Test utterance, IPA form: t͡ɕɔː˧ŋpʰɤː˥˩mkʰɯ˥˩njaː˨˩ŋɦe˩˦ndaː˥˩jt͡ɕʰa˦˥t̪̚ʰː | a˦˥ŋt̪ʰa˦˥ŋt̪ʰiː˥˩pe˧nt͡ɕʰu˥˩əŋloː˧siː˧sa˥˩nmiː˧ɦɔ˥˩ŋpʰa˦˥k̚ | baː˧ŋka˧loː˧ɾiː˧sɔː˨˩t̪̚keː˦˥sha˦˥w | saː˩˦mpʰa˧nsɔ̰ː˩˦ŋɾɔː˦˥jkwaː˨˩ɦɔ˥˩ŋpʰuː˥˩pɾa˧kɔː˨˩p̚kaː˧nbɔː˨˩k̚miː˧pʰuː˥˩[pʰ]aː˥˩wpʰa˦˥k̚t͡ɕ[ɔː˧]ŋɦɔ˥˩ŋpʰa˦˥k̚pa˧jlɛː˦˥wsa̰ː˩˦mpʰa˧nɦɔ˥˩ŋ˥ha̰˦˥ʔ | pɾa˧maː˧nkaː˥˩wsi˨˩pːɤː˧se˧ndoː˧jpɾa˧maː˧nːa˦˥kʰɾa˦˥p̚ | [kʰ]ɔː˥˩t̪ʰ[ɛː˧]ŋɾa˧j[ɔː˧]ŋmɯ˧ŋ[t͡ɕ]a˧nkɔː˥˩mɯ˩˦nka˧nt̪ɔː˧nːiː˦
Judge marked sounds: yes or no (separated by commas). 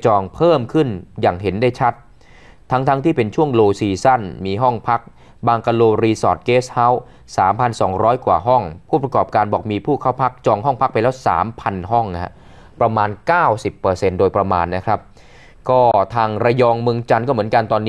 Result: no, yes, no, no, yes, yes